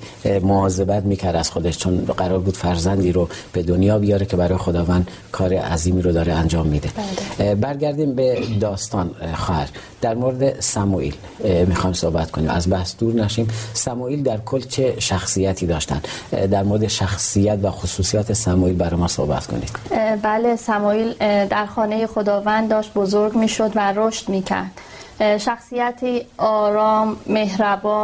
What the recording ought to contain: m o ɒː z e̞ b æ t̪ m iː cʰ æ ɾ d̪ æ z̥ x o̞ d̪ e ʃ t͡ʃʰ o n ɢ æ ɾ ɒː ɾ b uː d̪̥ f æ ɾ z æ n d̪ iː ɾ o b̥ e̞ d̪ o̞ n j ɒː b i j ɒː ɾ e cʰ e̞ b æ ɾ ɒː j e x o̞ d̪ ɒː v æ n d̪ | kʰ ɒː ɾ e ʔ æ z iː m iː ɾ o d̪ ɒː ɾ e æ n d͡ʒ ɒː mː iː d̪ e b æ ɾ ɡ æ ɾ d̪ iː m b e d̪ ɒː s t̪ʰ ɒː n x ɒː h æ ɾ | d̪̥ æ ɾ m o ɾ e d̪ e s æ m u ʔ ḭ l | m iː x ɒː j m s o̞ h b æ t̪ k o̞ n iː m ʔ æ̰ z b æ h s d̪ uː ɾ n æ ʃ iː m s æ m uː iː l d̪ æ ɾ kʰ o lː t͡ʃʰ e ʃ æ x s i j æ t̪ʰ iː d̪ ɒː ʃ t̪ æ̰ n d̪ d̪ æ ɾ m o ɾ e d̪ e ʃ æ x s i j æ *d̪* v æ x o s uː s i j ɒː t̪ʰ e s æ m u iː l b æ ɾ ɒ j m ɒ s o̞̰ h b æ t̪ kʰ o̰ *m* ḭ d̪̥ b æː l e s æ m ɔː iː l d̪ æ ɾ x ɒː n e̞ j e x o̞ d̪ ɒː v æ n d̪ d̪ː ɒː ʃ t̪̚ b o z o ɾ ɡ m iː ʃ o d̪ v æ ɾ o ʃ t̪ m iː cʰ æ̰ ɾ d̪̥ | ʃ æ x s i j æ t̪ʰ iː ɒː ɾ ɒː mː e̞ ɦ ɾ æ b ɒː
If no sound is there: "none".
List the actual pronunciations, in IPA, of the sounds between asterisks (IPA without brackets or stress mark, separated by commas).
t̪, n